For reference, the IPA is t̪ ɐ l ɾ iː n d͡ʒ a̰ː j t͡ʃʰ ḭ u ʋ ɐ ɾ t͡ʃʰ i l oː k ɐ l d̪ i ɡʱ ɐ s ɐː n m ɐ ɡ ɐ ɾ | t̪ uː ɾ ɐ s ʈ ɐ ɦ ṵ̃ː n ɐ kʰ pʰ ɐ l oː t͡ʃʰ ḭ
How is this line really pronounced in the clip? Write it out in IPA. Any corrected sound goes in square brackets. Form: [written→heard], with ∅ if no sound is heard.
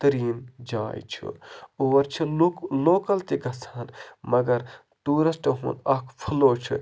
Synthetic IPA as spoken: t̪ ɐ [l→∅] ɾ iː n d͡ʒ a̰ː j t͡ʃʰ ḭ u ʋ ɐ ɾ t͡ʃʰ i l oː k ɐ l [d̪→t̪] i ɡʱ ɐ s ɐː n m ɐ ɡ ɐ ɾ | t̪ uː ɾ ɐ s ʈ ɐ ɦ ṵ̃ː n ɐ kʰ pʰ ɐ l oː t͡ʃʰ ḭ